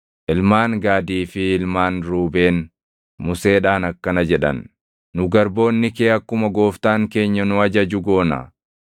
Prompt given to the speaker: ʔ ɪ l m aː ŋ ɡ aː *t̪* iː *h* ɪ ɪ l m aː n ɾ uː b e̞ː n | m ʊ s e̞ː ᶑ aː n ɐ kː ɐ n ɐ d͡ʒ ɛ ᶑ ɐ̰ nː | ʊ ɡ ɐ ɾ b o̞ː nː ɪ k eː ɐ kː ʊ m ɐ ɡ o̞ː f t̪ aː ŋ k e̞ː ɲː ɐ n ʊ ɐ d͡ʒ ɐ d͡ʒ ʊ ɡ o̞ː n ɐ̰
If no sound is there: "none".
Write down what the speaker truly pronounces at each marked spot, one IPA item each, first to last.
d̪, f

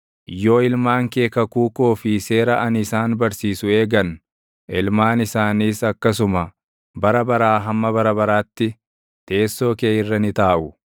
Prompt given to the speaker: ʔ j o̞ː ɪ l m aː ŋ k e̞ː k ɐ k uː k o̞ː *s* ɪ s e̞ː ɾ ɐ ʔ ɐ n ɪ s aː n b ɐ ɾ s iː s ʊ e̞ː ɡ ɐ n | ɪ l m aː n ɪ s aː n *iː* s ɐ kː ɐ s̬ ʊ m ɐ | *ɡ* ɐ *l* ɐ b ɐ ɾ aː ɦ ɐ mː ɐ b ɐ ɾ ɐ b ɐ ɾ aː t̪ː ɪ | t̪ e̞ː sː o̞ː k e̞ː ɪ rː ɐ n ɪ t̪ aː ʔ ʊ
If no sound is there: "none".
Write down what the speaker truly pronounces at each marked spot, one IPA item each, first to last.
f, iː, b, ɾ

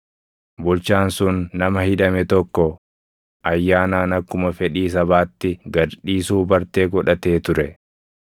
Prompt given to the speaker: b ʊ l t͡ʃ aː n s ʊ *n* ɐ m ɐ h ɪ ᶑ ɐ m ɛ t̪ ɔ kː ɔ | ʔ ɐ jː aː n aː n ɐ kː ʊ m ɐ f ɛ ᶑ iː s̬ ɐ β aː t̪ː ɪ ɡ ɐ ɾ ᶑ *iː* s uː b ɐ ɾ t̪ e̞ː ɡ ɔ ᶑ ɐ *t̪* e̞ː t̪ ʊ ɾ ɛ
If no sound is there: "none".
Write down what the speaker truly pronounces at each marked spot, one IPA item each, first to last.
nː, iː, t̪

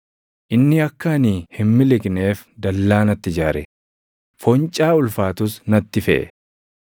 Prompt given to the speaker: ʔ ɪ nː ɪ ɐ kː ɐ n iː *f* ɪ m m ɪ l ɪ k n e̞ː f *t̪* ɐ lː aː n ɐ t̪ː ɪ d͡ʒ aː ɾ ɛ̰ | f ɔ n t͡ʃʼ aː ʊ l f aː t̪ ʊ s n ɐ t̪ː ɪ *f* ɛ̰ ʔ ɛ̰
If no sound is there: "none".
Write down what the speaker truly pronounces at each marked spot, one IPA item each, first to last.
h, d̪, f

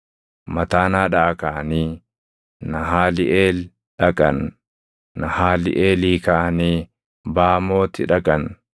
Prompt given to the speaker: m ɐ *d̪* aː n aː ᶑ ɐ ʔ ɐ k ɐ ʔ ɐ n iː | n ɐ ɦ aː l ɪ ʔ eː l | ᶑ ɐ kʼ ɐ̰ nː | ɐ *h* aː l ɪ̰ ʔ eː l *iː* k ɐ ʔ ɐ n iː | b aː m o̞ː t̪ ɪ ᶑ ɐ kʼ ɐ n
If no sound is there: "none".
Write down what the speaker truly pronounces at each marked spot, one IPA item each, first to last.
t̪, h, iː

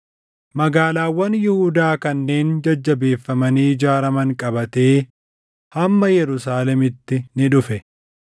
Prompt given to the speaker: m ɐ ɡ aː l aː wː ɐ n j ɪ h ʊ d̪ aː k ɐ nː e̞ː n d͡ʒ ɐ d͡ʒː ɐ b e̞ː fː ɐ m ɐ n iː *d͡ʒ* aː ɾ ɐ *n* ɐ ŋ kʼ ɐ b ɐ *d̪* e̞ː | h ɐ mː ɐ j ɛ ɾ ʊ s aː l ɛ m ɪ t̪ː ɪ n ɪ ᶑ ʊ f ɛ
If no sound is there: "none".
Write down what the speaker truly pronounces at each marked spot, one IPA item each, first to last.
d͡ʒ, m, t̪

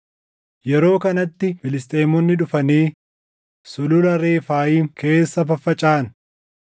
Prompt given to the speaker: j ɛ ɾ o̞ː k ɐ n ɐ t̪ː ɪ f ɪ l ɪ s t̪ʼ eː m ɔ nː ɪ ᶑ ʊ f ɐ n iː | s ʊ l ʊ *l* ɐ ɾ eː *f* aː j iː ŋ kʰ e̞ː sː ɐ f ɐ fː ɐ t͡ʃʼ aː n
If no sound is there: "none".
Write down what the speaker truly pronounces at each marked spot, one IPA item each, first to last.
l, f

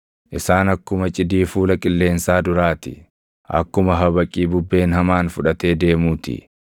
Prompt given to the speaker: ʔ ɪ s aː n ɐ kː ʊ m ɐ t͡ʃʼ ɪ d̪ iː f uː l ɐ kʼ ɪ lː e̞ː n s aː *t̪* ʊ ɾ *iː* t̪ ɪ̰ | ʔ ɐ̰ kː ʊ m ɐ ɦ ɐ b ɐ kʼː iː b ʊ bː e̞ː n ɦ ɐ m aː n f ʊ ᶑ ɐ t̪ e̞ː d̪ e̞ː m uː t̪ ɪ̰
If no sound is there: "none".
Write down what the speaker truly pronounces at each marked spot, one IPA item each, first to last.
d̪, aː

